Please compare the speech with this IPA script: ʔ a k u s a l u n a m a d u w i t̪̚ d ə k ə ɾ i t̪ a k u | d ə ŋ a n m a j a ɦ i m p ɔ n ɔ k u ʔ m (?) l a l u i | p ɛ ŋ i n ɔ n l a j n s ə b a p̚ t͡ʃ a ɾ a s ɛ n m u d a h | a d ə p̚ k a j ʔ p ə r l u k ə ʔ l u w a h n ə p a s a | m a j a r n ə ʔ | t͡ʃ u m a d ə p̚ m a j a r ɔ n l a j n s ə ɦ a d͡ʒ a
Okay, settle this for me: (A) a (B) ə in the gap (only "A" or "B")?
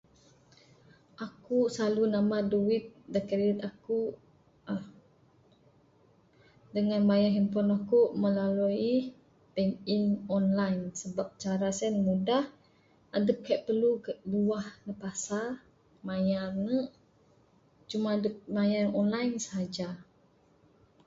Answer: B